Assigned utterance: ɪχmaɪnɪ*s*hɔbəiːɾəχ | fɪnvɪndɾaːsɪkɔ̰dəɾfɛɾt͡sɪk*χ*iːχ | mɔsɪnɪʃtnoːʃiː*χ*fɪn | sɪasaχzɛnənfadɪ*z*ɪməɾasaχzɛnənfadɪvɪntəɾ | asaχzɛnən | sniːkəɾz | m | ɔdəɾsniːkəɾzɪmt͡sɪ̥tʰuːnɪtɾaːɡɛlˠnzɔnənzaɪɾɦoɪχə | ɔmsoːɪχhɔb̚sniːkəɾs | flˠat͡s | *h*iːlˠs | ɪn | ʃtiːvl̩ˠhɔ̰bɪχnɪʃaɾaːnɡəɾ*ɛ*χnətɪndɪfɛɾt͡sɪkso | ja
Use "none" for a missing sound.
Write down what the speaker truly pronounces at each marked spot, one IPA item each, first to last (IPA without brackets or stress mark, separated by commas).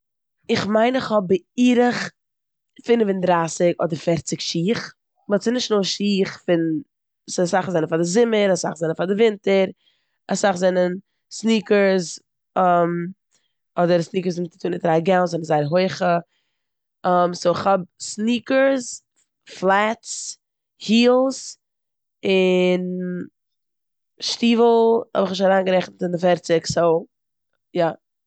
χ, ʃ, χ, z, h, ɛ